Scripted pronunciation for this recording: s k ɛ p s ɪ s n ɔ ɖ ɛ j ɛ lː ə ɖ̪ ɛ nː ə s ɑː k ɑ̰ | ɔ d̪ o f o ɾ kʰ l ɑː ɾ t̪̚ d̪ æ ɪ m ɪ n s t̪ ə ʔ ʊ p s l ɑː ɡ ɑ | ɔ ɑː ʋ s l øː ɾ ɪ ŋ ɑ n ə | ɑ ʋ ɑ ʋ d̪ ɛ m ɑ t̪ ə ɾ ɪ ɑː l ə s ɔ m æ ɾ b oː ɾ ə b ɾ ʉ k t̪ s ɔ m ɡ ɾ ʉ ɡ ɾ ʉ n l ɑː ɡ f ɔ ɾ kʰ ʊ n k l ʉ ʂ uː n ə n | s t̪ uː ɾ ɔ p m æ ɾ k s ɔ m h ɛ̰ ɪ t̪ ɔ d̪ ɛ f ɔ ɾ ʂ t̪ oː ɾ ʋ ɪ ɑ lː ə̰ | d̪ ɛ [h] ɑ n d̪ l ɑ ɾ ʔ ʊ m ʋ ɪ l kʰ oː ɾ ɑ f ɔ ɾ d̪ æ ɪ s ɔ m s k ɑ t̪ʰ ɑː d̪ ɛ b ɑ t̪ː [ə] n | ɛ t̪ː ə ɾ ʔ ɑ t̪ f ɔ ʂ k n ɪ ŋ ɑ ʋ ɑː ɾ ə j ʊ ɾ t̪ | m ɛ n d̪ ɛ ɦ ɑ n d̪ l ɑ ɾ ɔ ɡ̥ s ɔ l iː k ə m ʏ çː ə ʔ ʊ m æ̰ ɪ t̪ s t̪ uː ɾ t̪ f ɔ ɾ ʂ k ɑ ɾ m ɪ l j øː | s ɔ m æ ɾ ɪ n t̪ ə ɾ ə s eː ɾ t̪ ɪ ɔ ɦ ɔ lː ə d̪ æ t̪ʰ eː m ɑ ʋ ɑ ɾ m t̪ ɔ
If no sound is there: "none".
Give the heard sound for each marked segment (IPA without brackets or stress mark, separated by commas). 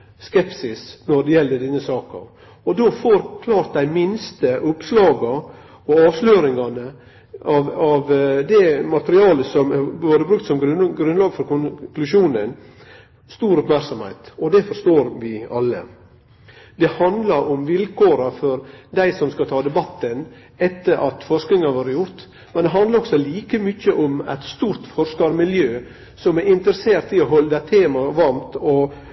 h, ə